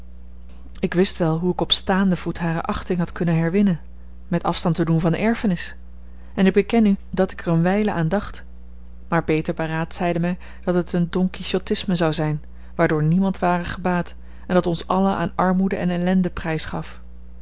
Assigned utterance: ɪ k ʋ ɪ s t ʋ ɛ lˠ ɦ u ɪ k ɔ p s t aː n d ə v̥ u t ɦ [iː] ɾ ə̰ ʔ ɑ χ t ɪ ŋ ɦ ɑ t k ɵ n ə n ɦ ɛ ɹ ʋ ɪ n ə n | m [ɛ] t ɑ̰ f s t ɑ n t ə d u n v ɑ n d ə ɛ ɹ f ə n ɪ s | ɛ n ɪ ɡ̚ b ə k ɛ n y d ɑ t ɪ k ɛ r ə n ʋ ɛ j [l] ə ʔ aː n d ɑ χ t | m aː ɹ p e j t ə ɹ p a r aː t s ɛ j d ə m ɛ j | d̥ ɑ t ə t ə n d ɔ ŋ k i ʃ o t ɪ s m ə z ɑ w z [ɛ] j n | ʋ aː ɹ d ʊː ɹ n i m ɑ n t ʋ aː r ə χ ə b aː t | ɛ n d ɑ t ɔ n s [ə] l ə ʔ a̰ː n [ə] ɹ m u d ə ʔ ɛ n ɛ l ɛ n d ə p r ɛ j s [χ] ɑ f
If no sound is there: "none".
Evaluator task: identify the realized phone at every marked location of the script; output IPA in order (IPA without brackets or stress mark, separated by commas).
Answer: aː, ɛ, l, ɛ, ɑ, ɑ, χ